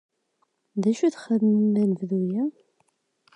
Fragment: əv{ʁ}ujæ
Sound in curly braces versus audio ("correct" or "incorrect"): incorrect